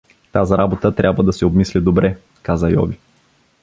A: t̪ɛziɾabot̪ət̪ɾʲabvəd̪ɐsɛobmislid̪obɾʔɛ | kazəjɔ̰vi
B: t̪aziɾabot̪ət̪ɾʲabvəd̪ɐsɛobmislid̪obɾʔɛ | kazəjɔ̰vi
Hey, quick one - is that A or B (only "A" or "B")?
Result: B